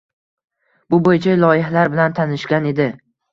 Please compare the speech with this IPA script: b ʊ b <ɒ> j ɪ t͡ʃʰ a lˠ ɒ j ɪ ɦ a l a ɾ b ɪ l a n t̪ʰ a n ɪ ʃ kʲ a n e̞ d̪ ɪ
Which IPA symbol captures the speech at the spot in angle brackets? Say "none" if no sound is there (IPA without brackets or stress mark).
o